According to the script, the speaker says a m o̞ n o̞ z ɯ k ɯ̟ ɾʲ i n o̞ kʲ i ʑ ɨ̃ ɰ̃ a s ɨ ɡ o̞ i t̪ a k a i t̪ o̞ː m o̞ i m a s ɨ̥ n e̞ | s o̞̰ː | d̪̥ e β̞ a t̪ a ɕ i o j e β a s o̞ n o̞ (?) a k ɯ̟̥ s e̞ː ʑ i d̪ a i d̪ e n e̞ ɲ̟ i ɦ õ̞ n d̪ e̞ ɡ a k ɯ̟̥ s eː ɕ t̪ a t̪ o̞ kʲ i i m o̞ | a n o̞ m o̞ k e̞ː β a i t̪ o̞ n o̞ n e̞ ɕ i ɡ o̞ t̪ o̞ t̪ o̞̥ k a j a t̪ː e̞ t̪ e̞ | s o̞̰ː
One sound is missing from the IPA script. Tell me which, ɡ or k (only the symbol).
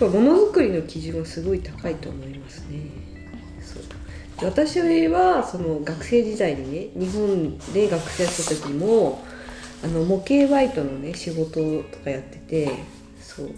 ɡ